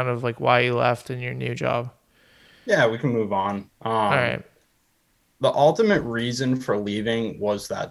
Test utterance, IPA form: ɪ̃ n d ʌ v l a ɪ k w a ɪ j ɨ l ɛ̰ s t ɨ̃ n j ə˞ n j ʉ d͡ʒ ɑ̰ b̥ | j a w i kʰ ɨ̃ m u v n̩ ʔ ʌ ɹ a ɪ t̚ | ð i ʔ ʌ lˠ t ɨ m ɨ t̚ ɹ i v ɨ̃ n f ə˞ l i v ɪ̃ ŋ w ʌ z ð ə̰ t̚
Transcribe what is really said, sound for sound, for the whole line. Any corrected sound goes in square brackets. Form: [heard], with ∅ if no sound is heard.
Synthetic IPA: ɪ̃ n d ʌ v l a ɪ k w a ɪ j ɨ l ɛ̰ [f] t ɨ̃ n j ə˞ n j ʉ d͡ʒ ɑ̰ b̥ | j [æ] w i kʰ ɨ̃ m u v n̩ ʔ ʌ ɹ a ɪ t̚ | ð i ʔ ʌ lˠ t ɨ m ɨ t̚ ɹ i [z] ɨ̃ n f ə˞ l i v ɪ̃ ŋ w ʌ z ð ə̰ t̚